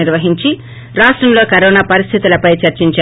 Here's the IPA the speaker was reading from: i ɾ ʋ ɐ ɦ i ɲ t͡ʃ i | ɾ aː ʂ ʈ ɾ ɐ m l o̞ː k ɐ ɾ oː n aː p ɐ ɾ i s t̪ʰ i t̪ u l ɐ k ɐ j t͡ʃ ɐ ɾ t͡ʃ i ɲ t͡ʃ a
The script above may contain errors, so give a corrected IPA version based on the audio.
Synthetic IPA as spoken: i ɾ ʋ ɐ ɦ i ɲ t͡ʃ i | ɾ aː ʂ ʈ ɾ ɐ m l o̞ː k ɐ ɾ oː n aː p ɐ ɾ i s t̪ʰ i t̪ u l ɐ p ɐ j t͡ʃ ɐ ɾ t͡ʃ i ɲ t͡ʃ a